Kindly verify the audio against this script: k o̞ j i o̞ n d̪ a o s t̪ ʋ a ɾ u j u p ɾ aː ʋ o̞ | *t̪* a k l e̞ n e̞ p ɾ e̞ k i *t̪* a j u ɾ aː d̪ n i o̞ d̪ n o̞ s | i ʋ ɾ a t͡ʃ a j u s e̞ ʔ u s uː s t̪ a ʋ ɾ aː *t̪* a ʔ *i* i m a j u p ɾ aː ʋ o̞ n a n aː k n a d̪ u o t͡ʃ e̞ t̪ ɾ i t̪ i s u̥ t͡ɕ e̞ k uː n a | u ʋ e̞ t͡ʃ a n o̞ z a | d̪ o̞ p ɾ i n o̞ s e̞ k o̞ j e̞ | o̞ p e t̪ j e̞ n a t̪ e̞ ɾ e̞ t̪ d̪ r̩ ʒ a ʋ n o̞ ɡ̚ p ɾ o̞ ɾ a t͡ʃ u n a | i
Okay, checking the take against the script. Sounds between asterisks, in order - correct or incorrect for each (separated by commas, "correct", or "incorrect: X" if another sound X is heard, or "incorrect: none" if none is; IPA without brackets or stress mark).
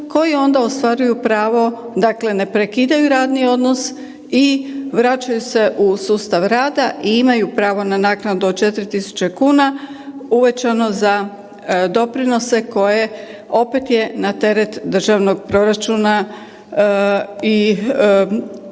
incorrect: d̪, incorrect: d̪, incorrect: d̪, correct